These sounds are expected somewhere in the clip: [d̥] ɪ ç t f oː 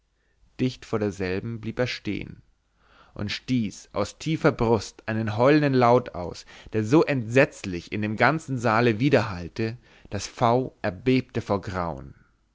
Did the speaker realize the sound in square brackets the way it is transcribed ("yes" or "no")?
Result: yes